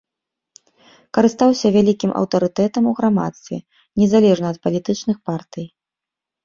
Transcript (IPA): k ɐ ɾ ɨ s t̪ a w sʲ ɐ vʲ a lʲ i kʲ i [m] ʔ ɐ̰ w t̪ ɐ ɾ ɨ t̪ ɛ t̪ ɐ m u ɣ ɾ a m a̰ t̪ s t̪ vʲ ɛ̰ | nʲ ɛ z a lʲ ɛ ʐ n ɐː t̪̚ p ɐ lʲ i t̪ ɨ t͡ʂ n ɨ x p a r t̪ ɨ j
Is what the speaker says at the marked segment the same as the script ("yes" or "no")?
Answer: yes